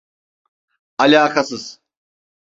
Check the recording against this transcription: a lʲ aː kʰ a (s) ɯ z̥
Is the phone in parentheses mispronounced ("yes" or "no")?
no